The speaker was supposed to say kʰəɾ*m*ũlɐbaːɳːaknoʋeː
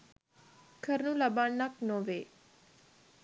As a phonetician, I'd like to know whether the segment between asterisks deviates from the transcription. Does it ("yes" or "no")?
yes